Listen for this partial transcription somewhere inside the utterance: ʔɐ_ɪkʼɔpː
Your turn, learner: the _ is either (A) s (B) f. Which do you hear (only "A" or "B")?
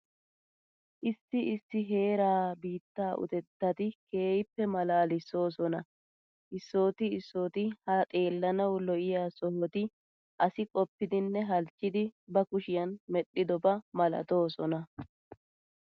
A